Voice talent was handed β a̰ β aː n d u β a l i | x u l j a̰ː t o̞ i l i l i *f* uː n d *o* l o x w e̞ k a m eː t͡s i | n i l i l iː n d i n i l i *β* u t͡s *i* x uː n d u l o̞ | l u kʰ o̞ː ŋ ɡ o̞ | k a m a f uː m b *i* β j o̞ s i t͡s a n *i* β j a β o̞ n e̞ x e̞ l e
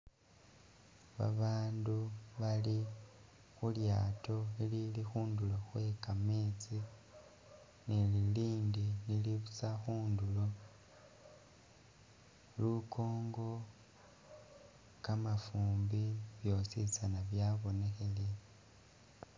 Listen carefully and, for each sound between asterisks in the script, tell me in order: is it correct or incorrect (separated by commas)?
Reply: incorrect, incorrect, correct, incorrect, correct, incorrect